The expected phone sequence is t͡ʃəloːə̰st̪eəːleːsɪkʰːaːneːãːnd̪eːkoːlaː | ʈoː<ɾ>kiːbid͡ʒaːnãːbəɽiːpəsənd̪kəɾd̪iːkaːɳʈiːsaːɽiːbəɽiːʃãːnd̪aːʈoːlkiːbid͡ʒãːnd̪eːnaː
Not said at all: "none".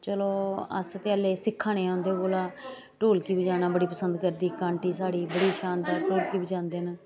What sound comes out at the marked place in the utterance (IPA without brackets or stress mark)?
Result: l